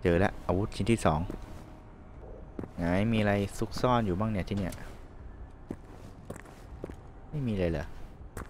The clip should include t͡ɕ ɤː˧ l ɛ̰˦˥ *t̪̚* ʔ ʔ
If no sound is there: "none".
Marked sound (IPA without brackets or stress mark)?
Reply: none